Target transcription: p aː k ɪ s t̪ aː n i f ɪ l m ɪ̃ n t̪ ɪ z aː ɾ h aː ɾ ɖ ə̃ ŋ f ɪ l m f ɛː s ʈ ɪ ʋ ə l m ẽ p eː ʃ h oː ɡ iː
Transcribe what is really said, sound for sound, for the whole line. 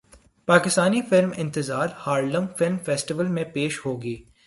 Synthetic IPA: p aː k ɪ s t̪ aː n i f ɪ l m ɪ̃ n t̪ ɪ z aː ɾ h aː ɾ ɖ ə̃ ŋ f ɪ l m f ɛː s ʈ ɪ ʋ ə l m ẽ p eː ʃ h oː ɡ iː